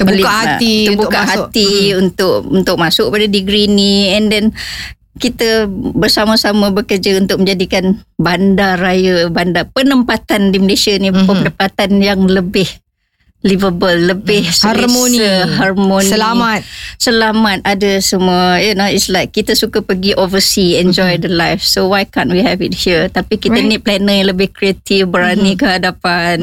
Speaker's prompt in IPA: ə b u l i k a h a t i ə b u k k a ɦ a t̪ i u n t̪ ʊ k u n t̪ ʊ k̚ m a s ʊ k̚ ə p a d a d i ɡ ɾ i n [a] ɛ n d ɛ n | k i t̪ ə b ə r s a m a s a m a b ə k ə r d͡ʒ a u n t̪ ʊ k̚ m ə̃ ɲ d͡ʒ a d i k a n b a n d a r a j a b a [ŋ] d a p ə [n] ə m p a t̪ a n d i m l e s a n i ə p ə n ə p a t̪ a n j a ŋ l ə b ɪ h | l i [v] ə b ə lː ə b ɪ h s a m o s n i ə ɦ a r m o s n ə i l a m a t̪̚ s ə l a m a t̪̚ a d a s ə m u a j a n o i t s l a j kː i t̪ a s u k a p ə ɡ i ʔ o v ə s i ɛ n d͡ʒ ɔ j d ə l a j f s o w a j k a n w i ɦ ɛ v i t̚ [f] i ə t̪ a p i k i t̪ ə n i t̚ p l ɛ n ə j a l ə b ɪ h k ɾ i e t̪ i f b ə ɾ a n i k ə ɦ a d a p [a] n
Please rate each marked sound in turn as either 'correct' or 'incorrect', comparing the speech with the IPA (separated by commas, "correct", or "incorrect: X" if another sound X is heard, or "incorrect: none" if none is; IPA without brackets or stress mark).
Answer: incorrect: i, incorrect: n, correct, correct, incorrect: h, correct